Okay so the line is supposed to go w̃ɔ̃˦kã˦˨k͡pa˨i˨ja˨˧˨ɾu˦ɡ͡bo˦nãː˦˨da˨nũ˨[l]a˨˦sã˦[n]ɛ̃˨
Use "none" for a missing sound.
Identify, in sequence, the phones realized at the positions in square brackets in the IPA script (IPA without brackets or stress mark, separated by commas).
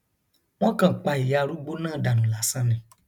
l, n